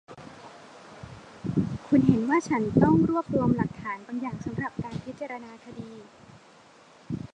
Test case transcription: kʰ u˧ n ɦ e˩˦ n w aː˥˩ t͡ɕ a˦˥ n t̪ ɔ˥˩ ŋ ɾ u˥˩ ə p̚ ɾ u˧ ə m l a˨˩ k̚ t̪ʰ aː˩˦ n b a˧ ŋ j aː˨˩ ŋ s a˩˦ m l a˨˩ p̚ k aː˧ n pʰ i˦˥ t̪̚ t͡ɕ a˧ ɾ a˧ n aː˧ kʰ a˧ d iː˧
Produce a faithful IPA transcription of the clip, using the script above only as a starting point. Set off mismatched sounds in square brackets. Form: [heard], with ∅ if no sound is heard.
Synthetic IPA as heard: kʰ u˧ n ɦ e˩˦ n w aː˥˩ [t͡ɕʰ] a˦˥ n t̪ ɔ˥˩ ŋ ɾ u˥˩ ə p̚ ɾ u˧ ə m l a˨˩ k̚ t̪ʰ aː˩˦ n b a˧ ŋ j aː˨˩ ŋ s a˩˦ m [ɾ] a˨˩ p̚ k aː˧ n pʰ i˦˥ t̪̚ t͡ɕ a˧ ɾ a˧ n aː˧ kʰ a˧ d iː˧